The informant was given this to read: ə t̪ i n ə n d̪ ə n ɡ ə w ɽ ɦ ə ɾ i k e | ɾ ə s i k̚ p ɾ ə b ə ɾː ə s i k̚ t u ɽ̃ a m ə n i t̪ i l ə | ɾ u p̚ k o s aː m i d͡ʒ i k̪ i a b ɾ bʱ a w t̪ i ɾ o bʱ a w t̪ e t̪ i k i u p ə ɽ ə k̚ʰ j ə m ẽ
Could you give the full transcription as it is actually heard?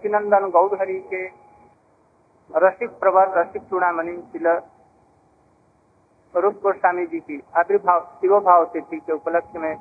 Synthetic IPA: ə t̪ i n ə n d̪ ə n ɡ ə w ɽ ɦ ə ɾ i k e | ɾ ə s i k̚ p ɾ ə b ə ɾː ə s i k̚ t u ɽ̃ a m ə n i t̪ i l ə | ɾ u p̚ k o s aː m i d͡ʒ i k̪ i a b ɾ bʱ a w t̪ i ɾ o bʱ a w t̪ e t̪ i k e u p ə l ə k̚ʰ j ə m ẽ